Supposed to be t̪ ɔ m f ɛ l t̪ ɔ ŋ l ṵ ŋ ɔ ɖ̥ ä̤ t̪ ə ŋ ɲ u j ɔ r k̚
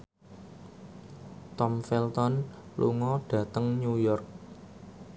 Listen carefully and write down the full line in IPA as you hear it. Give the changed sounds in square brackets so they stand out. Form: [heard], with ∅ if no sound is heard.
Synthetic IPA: t̪ ɔ m f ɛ l t̪ ɔ [n] l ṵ ŋ ɔ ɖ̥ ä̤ t̪ ə ŋ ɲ u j ɔ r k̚